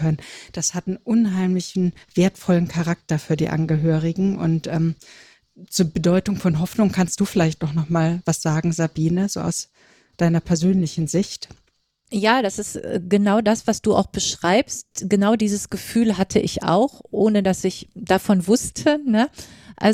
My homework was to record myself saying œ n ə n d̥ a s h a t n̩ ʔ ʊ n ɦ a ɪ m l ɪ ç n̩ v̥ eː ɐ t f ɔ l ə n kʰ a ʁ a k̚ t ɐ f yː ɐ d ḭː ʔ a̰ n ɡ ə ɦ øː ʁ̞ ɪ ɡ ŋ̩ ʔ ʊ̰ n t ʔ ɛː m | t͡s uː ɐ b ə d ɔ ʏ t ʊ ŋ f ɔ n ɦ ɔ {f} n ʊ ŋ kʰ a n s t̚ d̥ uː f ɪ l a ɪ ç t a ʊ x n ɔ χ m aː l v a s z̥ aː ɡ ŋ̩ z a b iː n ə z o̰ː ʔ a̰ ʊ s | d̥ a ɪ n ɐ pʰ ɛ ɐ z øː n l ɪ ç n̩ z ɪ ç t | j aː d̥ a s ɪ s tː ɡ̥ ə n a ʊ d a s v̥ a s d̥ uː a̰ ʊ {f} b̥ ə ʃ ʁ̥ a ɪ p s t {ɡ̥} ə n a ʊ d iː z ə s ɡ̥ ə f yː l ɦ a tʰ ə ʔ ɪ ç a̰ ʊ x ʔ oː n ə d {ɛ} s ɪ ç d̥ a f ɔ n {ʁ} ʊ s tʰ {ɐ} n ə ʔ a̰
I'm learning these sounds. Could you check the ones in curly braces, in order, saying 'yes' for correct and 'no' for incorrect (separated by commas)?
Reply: yes, no, yes, no, no, no